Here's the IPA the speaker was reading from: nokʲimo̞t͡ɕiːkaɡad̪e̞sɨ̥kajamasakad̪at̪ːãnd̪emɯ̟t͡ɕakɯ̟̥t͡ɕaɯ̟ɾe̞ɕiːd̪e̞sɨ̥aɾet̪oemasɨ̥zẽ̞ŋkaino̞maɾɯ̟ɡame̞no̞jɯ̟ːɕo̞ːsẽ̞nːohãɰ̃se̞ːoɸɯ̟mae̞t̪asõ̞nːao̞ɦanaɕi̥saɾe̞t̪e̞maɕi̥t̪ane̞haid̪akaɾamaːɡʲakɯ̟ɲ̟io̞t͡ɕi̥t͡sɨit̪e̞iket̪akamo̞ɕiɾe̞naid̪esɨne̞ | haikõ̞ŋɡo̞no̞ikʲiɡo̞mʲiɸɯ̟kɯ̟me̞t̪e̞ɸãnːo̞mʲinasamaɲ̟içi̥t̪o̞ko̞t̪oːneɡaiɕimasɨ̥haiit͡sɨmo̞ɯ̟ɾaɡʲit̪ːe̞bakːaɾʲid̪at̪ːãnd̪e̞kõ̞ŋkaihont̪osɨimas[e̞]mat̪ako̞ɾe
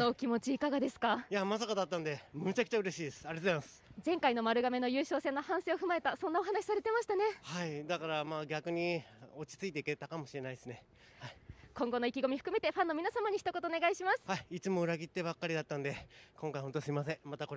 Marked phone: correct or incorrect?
incorrect